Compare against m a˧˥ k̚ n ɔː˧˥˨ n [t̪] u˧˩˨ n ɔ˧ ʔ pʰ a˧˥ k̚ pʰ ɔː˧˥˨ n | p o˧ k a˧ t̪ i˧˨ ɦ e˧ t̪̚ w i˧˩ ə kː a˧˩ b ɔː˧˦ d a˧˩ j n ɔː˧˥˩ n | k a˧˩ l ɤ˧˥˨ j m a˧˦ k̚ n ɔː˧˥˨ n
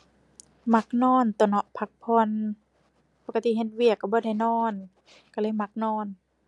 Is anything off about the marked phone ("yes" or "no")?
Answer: no